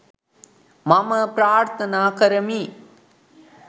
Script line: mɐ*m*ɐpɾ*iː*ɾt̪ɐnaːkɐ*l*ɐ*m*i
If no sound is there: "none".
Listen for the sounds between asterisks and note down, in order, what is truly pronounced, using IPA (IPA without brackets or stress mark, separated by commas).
m, aː, ɾ, m